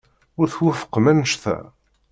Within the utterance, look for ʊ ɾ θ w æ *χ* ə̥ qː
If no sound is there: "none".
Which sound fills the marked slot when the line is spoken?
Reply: f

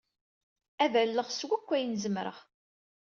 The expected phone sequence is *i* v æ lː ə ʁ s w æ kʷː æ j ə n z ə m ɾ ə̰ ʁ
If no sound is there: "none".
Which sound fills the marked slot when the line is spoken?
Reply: æ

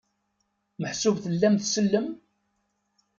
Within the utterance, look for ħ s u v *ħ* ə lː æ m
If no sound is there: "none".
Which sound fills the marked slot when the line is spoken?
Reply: θ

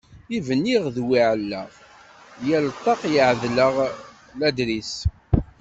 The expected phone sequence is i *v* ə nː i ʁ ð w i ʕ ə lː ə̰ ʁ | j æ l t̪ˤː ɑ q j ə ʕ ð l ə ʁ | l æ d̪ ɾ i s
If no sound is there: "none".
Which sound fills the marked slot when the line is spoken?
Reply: v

